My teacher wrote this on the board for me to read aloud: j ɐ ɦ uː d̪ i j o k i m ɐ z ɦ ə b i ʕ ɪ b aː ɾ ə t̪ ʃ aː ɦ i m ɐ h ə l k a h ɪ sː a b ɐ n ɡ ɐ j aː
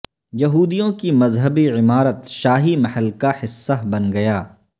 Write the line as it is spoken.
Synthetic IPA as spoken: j ɐ ɦ uː d̪ i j õ k i m ɐ z ɦ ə b i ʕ ɪ m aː ɾ ə t̪ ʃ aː ɦ i m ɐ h ə l k a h ɪ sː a b ɐ n ɡ ɐ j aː